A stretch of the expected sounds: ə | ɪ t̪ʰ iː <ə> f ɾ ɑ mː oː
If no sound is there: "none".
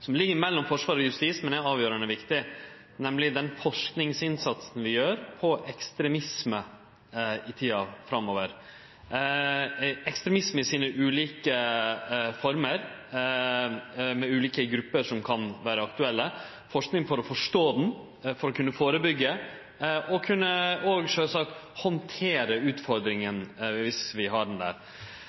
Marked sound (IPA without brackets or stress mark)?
ɑ